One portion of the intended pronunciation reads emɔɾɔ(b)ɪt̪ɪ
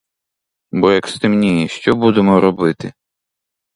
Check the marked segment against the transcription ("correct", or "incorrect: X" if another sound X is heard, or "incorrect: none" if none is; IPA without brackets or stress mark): correct